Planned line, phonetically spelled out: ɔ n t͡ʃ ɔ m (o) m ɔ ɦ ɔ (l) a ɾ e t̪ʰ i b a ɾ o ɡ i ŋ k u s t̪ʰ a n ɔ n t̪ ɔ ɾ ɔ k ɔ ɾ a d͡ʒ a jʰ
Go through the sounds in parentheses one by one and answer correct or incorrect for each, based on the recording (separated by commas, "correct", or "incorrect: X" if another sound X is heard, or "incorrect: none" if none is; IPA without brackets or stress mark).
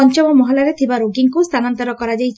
incorrect: ɔ, correct